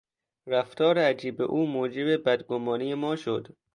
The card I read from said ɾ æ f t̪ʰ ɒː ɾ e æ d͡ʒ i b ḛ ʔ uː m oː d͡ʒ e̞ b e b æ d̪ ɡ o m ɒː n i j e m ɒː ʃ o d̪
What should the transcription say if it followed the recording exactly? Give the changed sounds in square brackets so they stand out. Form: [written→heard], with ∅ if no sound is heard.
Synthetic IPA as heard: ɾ æ f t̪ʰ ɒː ɾ e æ d͡ʒ [i→iː] b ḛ ʔ uː m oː d͡ʒ e̞ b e b æ d̪ ɡ o m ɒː n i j e m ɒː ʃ o d̪